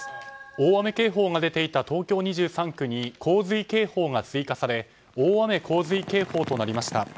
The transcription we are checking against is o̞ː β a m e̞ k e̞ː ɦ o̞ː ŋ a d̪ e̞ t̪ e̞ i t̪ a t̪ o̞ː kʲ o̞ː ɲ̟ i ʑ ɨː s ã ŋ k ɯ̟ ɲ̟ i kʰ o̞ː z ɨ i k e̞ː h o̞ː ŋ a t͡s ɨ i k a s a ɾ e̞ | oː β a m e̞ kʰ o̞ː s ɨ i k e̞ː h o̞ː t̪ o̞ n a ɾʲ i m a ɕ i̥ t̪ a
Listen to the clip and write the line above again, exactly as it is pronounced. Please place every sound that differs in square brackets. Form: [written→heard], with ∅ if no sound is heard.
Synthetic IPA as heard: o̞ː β a m e̞ k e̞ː ɦ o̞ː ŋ a d̪ e̞ t̪ e̞ i t̪ a t̪ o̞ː kʲ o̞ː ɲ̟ i ʑ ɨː s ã ŋ k ɯ̟ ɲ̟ i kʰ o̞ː z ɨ i k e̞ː h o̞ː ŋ a t͡s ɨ i k a s a ɾ e̞ | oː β a m e̞ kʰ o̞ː [s→z] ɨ i k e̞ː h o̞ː t̪ o̞ n a ɾʲ i m a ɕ i̥ t̪ a